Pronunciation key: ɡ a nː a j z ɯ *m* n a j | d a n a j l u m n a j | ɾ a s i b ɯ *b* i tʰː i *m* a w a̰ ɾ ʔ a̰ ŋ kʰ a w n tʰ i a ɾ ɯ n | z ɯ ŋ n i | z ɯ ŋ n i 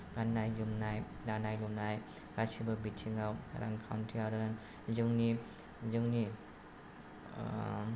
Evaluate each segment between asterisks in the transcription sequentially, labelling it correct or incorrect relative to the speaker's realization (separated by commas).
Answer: correct, correct, incorrect